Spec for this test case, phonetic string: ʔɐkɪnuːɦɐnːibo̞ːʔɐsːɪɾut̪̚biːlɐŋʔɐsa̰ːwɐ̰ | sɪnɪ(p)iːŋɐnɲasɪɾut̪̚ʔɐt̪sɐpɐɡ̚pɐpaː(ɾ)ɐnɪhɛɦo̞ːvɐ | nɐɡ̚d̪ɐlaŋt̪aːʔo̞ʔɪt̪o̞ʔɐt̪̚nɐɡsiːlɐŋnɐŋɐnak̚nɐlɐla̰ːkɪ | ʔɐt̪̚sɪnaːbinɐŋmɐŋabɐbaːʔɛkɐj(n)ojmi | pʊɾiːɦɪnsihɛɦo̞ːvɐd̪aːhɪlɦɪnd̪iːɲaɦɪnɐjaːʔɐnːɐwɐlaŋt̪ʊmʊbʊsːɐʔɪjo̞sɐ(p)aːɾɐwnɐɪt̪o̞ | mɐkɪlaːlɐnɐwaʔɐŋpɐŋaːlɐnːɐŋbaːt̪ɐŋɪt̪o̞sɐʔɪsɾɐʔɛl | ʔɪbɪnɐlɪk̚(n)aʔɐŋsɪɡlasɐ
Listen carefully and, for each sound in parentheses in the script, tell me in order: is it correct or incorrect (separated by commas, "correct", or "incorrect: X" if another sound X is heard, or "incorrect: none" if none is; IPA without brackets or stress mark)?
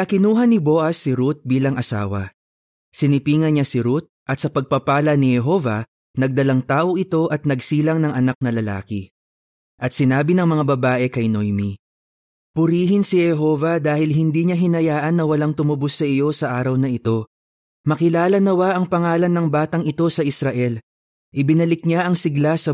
correct, incorrect: l, correct, incorrect: ʔ, incorrect: ɲ